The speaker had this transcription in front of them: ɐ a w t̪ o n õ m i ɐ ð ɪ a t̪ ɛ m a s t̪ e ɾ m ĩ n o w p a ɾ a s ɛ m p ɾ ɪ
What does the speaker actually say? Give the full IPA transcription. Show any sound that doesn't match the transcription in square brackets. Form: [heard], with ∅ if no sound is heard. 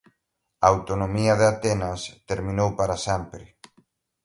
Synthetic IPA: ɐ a w t̪ o n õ m i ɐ ð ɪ a t̪ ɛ [n] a s t̪ e ɾ m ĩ n o w p a ɾ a s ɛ m p ɾ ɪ

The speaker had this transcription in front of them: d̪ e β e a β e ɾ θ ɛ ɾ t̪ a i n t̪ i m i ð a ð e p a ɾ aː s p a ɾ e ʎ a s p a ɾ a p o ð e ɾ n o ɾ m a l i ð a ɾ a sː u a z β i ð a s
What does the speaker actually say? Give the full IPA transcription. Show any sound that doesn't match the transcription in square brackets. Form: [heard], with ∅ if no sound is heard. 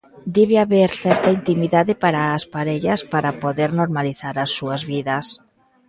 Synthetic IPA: d̪ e β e a β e ɾ θ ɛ ɾ t̪ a i n t̪ i m i ð a ð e p a ɾ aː s p a ɾ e ʎ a s p a ɾ a p o ð e ɾ n o ɾ m a l i [θ] a ɾ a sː u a z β i ð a s

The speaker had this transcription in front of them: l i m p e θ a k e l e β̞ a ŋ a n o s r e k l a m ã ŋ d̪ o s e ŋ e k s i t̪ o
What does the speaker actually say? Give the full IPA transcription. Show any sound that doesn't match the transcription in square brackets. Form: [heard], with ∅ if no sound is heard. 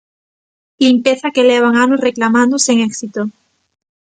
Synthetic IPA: l i m p e θ a k e l e β̞ a ŋ a n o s r e k l a m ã [n] d̪ o s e ŋ e k s i t̪ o

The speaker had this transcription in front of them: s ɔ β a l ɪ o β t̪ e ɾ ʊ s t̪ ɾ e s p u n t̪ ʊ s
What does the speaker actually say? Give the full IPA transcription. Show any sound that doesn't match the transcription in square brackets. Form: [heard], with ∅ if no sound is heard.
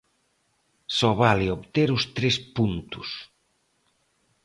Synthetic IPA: s ɔ β a l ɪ o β t̪ e ɾ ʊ s t̪ ɾ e s p u n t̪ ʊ s

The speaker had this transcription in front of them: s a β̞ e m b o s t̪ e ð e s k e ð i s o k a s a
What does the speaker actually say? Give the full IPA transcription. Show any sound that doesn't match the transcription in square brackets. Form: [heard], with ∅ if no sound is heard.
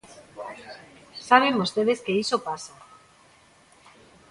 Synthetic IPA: s a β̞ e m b o s t̪ e ð e s k e [∅] i s o [p] a s a

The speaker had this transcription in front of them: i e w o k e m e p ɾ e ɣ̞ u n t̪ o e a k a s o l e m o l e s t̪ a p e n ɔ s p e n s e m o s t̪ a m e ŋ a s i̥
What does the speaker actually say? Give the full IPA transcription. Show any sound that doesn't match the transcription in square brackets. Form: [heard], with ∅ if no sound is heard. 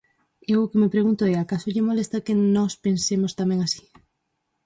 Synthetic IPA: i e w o k e m e p ɾ e ɣ̞ u n t̪ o e a k a s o [ʎ] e m o l e s t̪ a [k] e n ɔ s p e n s e m o s t̪ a m e ŋ a s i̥

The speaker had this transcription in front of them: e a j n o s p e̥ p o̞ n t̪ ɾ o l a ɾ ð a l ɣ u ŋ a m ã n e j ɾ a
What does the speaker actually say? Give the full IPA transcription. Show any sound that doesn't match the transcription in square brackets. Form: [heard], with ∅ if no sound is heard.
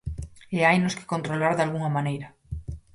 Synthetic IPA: e a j n o s [k] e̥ [k] o̞ n t̪ ɾ o l a ɾ ð a l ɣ u ŋ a m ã n e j ɾ a

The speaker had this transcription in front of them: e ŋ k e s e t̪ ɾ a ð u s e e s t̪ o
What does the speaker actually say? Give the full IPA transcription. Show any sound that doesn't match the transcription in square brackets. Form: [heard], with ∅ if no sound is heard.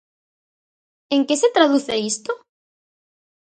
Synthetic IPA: e ŋ k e s e t̪ ɾ a ð u [θ] e [i] s t̪ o

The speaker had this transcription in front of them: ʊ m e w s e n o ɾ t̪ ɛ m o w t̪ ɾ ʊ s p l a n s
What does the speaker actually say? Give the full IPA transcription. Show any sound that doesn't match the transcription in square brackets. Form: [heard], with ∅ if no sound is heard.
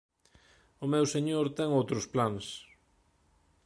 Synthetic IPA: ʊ m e w s e [ɲ] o ɾ t̪ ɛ [ŋ] o w t̪ ɾ ʊ s p l a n s

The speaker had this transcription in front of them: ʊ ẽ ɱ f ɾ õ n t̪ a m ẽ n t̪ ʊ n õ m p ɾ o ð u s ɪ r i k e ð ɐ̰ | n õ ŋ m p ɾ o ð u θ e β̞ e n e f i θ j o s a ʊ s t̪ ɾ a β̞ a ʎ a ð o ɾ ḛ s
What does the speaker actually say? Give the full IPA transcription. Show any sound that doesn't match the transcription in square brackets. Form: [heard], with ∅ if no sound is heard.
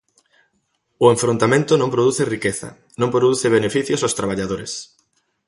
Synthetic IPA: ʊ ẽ ɱ f ɾ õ n t̪ a m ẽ n t̪ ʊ n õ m p ɾ o ð u [θ] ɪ r i k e [θ] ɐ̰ | n õ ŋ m p ɾ o ð u θ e β̞ e n e f i θ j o s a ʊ s t̪ ɾ a β̞ a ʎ a ð o ɾ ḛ s

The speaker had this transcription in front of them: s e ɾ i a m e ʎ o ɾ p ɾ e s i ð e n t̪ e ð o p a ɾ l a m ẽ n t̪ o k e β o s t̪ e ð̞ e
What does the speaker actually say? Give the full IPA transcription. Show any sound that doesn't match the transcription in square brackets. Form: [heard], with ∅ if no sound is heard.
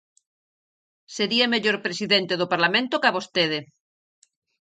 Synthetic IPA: s e ɾ i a m e ʎ o ɾ p ɾ e s i ð e n t̪ e ð o p a ɾ l a m ẽ n t̪ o k [a] β o s t̪ e ð̞ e

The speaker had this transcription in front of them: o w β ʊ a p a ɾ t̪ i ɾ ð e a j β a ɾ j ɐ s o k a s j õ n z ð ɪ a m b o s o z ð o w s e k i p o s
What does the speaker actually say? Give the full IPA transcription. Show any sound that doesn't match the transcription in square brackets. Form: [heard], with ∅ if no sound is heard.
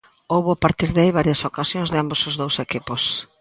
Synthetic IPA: o w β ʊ a p a ɾ t̪ i ɾ ð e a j β a ɾ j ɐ s o k a s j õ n z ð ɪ a m b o s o z ð o w s e k i p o s

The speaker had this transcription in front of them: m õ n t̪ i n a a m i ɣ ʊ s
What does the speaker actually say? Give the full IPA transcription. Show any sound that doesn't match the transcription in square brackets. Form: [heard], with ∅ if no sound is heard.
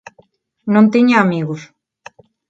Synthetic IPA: [n] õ n t̪ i [ɲ] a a m i ɣ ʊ s

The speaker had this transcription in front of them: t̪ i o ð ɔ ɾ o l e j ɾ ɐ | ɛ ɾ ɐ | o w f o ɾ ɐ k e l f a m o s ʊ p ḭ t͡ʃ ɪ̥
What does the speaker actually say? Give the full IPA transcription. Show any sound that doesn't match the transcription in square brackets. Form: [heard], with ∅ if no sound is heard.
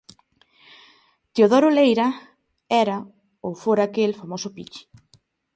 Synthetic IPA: t̪ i o ð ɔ ɾ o l e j ɾ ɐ | ɛ ɾ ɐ | o w f o ɾ [a] k e l f a m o s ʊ p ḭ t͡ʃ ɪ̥

